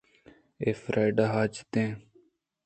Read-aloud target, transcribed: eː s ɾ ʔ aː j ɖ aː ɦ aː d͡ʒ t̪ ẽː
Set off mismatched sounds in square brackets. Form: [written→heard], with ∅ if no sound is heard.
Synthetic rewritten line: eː [s→f] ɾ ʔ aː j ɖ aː ɦ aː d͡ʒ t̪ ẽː